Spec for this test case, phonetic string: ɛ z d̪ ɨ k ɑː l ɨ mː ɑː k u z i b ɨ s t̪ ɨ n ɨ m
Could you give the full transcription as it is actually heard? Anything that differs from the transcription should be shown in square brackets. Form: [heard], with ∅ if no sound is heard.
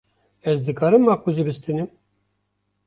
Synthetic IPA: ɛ z d̪ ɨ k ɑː [ɾ] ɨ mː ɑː k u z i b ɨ s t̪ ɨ n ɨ m